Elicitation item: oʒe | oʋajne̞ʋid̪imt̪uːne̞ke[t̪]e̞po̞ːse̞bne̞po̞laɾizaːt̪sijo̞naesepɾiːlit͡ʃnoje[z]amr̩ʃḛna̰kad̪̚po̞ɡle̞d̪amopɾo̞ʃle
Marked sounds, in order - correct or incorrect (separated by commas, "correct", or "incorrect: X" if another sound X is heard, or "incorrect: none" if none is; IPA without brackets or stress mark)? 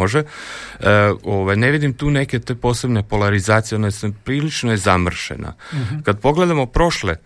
correct, correct